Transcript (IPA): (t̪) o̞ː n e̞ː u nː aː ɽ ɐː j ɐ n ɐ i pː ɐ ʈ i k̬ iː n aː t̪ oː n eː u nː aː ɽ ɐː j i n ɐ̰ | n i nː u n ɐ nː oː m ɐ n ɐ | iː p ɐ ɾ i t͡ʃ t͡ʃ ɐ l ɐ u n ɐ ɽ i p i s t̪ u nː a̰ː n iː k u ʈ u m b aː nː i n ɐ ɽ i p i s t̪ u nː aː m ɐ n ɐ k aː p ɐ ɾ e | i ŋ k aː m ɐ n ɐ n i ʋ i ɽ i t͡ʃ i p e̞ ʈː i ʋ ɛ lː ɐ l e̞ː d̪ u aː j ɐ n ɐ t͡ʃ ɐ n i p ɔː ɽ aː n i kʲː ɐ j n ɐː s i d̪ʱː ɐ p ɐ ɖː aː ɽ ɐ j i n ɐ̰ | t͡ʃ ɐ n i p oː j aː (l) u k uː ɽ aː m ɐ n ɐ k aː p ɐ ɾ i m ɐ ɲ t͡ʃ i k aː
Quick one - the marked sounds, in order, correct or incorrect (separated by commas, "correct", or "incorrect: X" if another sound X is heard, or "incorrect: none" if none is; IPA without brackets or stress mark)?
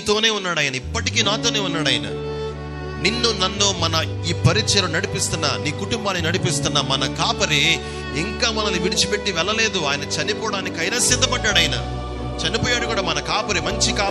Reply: correct, incorrect: ɽ